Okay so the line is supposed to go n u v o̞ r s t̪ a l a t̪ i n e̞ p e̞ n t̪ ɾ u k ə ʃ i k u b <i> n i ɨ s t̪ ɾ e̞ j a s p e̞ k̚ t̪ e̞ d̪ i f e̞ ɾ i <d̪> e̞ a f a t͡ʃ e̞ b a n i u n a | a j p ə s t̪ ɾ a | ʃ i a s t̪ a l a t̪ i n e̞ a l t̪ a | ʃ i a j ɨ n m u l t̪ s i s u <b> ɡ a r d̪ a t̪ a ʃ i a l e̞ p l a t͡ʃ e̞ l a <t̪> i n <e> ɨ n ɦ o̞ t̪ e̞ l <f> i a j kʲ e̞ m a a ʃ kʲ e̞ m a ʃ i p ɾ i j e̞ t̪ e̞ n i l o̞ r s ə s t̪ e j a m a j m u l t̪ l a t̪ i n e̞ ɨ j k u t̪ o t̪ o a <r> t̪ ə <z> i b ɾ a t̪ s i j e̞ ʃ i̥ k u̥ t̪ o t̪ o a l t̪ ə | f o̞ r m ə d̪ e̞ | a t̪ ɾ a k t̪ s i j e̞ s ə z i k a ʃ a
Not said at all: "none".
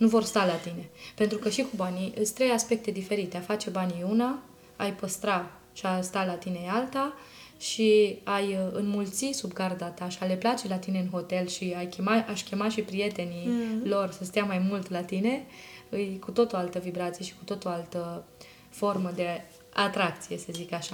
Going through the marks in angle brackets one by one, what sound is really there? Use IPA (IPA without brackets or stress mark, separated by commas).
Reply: a, t̪, b, t̪, e, ʃ, l, v